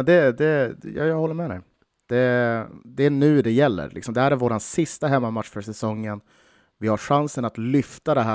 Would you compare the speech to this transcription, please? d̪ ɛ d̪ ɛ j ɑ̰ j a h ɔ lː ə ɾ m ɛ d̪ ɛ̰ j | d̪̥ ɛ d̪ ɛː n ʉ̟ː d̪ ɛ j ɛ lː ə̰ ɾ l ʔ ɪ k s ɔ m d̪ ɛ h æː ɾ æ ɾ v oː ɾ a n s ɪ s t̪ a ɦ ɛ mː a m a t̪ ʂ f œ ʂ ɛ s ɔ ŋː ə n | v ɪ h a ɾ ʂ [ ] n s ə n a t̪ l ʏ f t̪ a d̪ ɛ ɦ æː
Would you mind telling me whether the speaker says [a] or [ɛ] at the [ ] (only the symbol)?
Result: a